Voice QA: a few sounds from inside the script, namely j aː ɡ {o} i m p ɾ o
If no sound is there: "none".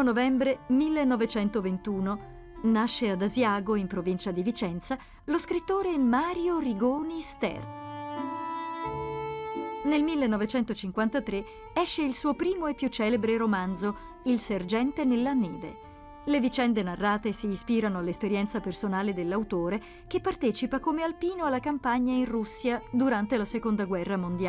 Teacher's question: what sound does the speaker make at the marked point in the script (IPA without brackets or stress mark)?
o